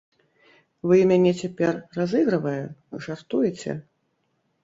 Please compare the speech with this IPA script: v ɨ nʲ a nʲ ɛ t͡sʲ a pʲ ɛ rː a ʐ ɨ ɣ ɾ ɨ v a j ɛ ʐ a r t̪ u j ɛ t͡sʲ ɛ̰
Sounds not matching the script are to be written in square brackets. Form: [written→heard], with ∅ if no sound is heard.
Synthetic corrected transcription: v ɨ [nʲ→mʲ] a nʲ ɛ t͡sʲ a pʲ ɛ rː a [ʐ→z] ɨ ɣ ɾ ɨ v [a→ɐ] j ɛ ʐ a r t̪ u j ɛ t͡sʲ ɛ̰

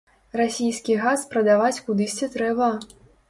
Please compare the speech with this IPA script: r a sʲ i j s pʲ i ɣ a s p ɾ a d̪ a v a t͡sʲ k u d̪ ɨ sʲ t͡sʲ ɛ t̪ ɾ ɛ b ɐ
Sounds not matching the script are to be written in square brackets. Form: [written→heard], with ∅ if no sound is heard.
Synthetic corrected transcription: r a sʲ i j s [pʲ→kʲ] i ɣ a s p ɾ [a→ɐ] d̪ a v a t͡sʲ k u d̪ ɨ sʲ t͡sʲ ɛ t̪ ɾ ɛ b ɐ

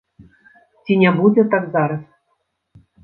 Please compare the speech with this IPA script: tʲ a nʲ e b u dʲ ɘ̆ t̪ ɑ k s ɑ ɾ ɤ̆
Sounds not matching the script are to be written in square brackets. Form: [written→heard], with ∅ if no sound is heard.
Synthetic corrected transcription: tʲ [a→i] nʲ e b u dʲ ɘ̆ t̪ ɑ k [s→z] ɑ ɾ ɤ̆

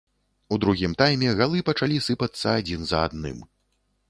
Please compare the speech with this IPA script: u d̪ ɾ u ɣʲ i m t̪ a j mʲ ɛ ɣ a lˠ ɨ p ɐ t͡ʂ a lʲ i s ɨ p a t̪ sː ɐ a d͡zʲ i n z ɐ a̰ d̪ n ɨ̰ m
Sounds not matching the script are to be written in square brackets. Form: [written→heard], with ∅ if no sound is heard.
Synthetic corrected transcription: u d̪ ɾ u ɣʲ i m t̪ a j mʲ ɛ ɣ a lˠ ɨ p ɐ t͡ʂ a lʲ i s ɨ p [a→ɐ] t̪ sː ɐ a d͡zʲ i n z ɐ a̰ d̪ n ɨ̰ m

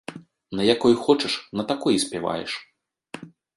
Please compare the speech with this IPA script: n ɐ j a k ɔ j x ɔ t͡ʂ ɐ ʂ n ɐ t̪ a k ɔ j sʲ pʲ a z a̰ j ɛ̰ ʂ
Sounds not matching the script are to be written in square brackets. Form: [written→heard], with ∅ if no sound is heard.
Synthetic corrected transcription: n ɐ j a k ɔ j x ɔ t͡ʂ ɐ ʂ n ɐ t̪ a k ɔ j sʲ pʲ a [z→v] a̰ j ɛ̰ ʂ

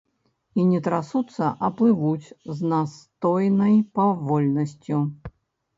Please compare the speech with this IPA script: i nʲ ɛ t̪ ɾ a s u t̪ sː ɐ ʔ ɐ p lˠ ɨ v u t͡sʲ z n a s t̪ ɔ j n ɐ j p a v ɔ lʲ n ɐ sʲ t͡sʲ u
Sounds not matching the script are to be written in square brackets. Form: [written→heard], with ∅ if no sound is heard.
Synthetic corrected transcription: i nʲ ɛ t̪ ɾ a s u t̪ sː ɐ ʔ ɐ p lˠ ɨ v u t͡sʲ z n a s t̪ ɔ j n ɐ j p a v ɔ lʲ n ɐ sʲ t͡sʲ u

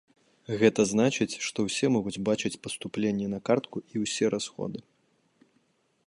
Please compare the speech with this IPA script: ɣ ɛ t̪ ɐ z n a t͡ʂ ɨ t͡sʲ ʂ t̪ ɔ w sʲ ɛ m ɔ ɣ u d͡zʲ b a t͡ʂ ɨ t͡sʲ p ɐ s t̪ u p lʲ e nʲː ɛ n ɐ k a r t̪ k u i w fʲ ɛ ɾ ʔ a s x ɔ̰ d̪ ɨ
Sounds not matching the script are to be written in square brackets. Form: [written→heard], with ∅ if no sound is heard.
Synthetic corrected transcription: ɣ ɛ t̪ ɐ z n a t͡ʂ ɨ t͡sʲ ʂ t̪ ɔ w sʲ ɛ m ɔ ɣ u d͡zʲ b a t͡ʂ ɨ t͡sʲ p ɐ s t̪ u p lʲ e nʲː ɛ n ɐ k a r t̪ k u i w [fʲ→sʲ] ɛ ɾ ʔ a s x ɔ̰ d̪ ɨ

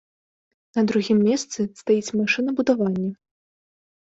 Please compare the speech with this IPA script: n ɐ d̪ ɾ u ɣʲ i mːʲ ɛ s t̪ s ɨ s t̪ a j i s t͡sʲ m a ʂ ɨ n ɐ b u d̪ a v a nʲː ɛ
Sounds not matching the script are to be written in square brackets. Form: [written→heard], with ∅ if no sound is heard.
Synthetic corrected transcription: n ɐ d̪ ɾ u ɣʲ i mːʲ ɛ s t̪ s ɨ s t̪ a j i [s→∅] t͡sʲ m a ʂ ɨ n ɐ b u d̪ a v a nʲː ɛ

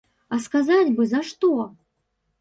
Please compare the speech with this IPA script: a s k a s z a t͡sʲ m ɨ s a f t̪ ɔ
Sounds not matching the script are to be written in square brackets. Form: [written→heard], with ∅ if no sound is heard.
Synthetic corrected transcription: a s k a [s→∅] z a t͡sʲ [m→b] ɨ [s→z] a [f→ʂ] t̪ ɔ

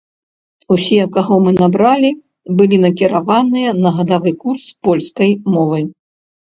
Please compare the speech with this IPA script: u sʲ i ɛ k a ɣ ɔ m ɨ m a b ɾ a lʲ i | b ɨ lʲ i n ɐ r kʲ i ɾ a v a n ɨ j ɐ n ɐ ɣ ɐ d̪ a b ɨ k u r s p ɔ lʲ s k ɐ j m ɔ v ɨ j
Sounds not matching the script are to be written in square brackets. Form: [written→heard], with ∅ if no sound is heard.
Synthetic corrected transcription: u sʲ i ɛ k a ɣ ɔ m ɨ [m→n] a b ɾ a lʲ i | b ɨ lʲ i n ɐ [r→∅] kʲ i ɾ a v a n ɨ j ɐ n ɐ ɣ ɐ d̪ a [b→v] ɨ k u r s p ɔ lʲ s k ɐ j m ɔ v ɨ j

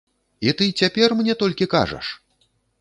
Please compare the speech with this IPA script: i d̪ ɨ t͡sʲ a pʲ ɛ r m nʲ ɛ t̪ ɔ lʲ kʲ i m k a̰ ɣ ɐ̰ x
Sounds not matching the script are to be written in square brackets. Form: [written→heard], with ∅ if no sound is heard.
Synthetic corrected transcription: i [d̪→t̪] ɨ t͡sʲ a pʲ ɛ r m nʲ ɛ t̪ ɔ lʲ kʲ i [m→∅] k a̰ [ɣ→ʐ] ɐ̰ [x→ʂ]

